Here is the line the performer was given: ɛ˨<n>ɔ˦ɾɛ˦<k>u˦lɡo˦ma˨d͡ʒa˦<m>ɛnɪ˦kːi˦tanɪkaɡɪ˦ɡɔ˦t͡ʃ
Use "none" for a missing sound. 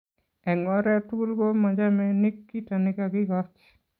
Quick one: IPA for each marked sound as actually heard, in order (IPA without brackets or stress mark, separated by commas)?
ŋ, t, m